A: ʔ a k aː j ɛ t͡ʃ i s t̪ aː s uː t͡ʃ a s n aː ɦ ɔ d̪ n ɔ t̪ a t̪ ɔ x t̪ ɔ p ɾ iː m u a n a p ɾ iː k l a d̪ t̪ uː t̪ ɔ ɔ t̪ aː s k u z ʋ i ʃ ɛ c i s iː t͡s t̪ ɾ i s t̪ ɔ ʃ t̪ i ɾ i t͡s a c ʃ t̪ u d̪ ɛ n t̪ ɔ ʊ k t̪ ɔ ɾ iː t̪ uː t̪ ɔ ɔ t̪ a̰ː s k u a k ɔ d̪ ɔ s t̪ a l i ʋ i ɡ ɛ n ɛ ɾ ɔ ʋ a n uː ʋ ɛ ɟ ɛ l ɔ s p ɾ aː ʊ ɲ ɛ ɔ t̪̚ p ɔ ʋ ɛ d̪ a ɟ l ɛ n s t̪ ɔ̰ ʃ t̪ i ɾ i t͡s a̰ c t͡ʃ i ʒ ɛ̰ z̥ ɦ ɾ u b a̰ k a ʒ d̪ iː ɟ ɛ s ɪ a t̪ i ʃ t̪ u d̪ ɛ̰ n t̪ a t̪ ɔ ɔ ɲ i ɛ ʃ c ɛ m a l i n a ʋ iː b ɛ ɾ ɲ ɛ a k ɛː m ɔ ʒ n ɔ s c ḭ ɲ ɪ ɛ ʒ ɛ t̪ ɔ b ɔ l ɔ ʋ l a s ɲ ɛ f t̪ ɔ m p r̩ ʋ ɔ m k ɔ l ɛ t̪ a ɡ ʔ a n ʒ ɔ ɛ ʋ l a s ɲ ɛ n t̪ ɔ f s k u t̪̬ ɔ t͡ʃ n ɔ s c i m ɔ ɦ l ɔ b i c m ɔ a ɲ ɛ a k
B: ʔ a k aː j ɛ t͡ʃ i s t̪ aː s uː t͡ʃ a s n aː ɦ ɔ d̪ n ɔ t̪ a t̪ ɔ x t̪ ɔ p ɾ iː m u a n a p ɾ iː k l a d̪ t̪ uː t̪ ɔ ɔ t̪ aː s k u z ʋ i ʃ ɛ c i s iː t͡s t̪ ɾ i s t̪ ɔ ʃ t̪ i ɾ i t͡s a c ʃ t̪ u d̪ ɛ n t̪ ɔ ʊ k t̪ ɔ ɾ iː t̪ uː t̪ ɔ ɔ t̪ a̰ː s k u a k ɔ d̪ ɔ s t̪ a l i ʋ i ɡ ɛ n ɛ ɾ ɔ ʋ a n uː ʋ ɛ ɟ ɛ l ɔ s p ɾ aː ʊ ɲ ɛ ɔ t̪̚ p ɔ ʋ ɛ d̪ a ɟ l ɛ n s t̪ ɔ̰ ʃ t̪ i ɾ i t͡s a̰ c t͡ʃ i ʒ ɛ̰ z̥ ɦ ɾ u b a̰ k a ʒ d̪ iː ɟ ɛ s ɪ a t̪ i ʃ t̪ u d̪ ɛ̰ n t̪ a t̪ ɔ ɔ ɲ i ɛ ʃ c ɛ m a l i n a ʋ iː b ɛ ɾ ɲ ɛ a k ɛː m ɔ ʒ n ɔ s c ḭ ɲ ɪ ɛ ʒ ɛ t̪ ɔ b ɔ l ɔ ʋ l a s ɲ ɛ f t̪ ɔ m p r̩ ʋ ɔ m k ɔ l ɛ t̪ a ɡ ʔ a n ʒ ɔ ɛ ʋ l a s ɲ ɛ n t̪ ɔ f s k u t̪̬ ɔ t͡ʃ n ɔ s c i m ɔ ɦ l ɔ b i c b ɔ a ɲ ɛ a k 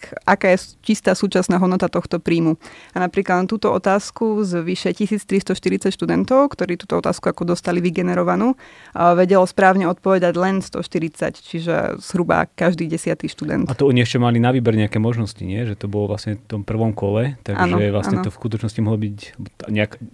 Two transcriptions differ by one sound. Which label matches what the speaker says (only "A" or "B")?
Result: B